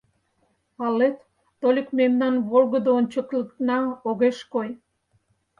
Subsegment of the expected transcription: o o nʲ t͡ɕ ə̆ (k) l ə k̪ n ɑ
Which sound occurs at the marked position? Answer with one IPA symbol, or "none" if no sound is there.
k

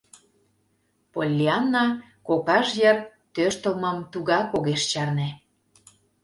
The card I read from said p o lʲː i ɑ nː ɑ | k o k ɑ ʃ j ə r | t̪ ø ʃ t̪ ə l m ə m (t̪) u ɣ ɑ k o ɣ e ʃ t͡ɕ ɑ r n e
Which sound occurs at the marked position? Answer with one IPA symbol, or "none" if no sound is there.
t̪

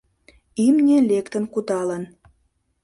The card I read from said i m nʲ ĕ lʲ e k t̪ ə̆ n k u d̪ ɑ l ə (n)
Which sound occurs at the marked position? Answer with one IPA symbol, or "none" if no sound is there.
n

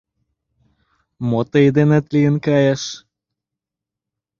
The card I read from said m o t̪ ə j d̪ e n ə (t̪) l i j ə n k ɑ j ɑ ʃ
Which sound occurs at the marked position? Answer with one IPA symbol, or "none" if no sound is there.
t̪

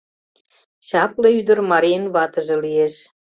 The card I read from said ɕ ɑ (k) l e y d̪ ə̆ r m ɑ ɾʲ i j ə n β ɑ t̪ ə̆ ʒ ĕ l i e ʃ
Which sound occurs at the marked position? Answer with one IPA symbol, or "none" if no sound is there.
p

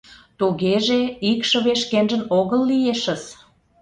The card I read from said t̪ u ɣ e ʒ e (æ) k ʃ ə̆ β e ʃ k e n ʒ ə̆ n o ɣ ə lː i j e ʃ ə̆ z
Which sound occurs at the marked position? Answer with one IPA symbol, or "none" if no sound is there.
i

